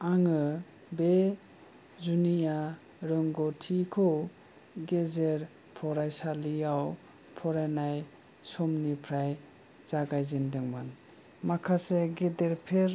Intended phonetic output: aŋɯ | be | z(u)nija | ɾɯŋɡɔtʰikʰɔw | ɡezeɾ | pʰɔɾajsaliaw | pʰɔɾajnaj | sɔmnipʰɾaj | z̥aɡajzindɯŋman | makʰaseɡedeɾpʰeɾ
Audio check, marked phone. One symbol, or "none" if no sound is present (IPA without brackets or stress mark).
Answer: u